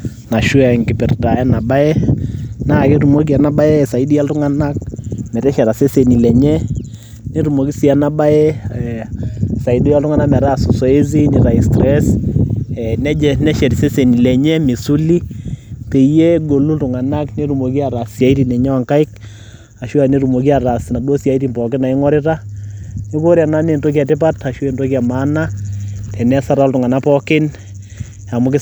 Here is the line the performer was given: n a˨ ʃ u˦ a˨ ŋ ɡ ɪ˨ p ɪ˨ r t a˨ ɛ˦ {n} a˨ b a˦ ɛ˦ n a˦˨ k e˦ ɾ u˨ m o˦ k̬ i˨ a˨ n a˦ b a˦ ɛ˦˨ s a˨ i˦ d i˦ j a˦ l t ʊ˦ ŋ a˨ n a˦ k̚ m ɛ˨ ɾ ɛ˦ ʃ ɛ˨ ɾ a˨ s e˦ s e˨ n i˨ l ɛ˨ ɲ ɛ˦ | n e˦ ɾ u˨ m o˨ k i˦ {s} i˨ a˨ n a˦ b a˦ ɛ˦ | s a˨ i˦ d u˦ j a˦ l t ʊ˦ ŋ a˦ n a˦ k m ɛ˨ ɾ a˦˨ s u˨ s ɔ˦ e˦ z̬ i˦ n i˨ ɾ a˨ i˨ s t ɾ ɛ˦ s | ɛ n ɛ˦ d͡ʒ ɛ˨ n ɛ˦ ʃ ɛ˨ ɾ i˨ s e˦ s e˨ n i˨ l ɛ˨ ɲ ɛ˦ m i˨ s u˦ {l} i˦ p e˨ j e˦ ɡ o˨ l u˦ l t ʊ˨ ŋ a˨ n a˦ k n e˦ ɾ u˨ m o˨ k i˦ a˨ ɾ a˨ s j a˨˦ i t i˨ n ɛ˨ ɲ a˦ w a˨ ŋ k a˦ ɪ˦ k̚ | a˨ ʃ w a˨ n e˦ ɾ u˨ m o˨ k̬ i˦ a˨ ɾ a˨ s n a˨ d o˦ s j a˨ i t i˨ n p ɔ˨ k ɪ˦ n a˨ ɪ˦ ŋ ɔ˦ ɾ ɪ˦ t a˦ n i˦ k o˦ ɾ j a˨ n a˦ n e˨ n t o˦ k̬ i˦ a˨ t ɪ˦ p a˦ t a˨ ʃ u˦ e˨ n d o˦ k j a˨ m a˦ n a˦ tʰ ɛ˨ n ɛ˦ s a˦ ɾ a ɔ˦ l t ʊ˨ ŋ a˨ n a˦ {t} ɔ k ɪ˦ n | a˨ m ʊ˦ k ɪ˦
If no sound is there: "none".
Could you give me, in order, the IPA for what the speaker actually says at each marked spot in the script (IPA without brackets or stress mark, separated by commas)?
n, s, l, p